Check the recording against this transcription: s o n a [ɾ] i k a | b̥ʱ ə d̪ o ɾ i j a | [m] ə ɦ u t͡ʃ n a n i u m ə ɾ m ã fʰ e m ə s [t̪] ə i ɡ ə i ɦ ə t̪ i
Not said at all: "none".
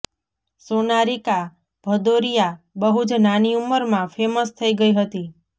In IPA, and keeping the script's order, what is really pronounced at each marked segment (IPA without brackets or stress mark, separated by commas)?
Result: ɾ, b, t̪ʰ